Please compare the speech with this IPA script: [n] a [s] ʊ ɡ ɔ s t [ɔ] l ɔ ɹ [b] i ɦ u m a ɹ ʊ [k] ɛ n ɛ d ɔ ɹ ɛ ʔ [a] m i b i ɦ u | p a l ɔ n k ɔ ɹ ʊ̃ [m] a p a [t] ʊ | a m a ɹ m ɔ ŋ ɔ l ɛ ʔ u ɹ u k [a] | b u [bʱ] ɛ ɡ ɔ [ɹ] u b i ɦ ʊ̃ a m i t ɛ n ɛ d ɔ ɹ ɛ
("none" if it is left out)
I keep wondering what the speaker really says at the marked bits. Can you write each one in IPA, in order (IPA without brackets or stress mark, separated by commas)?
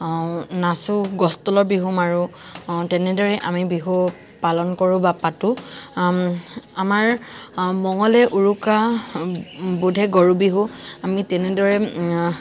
n, s, ɔ, b, t, a, b, t, a, dʱ, ɹ